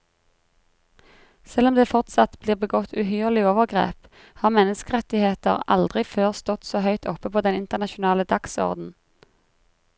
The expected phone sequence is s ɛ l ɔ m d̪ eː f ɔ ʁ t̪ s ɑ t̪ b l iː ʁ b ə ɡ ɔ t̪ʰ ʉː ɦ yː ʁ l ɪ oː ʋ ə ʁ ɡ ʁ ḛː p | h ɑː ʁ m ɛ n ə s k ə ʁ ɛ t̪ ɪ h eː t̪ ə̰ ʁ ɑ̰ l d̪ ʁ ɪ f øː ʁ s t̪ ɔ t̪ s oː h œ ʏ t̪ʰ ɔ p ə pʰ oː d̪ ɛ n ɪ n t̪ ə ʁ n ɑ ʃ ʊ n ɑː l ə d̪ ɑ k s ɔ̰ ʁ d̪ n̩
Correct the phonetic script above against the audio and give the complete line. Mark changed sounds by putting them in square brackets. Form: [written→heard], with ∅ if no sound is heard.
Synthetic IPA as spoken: s ɛ l ɔ m d̪ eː f ɔ ʁ t̪ s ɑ t̪ b l iː ʁ b ə ɡ ɔ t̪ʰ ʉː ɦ yː ʁ l ɪ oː ʋ ə ʁ ɡ ʁ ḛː p | h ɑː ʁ m ɛ n ə s k ə ʁ ɛ t̪ ɪ h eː t̪ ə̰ ʁ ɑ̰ l d̪ ʁ ɪ f øː ʁ s t̪ ɔ t̪ s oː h œ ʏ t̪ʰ ɔ p ə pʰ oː d̪ ɛ n ɪ n t̪ ə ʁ n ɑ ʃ ʊ n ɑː l ə d̪ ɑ k s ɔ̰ ʁ d̪ n̩

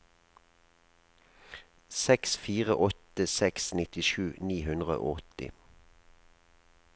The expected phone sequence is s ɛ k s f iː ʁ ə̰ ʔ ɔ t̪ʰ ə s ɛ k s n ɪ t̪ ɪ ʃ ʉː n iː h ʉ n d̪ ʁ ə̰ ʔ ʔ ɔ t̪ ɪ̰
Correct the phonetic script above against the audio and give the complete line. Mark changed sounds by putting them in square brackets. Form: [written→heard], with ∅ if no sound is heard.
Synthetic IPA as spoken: s ɛ k s f iː ʁ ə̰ ʔ ɔ [t̪ʰ→t̪] ə s ɛ k s n ɪ t̪ ɪ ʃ ʉː n iː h ʉ n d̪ ʁ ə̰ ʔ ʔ ɔ t̪ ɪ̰

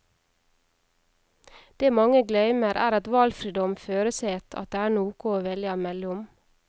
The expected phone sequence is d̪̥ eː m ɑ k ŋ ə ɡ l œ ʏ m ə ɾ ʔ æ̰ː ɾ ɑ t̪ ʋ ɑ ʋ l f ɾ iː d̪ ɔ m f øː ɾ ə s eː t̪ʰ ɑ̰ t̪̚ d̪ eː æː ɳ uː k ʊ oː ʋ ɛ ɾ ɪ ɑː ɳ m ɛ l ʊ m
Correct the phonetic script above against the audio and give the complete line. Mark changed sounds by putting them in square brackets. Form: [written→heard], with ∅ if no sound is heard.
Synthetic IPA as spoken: d̪̥ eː m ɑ [k→∅] ŋ ə ɡ l œ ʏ m ə ɾ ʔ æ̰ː ɾ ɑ t̪ ʋ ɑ [ʋ→∅] l f ɾ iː d̪ ɔ m f øː ɾ ə s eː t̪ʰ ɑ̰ t̪̚ d̪ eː æː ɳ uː k ʊ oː ʋ ɛ [ɾ→l] ɪ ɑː [ɳ→∅] m ɛ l ʊ m

